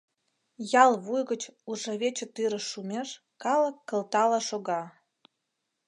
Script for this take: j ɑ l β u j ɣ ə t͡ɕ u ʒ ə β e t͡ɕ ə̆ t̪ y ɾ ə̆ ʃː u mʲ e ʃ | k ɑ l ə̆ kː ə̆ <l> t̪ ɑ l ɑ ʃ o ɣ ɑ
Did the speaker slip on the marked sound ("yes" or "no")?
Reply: no